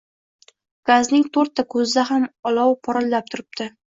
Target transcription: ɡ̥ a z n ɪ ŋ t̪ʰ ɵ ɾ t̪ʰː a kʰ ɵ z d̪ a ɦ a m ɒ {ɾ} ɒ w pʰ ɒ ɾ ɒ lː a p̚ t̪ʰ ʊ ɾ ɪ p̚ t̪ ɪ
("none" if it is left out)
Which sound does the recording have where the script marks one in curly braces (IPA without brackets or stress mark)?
l